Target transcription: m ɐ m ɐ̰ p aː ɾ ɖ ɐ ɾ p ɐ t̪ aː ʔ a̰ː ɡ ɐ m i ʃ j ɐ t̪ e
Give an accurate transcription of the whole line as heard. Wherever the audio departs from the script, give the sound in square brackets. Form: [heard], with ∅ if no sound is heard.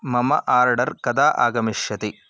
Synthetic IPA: m ɐ m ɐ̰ [ʔ] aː ɾ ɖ ɐ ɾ [k] ɐ [d̪] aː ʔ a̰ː ɡ ɐ m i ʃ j ɐ t̪ [i]